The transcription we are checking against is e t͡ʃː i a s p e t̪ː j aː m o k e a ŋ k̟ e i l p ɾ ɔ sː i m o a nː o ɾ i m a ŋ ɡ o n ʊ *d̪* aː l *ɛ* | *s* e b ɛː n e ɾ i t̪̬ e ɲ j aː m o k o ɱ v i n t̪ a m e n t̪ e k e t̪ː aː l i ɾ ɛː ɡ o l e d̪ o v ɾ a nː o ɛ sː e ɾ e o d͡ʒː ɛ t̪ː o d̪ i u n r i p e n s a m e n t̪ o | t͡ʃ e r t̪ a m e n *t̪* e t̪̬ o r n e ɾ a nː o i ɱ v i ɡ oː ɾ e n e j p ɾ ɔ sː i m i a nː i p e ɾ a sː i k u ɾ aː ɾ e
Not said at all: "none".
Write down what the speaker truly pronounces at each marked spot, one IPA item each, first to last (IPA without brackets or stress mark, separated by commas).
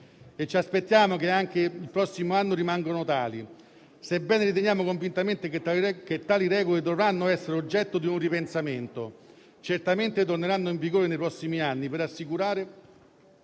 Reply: t̪, i, s, t̪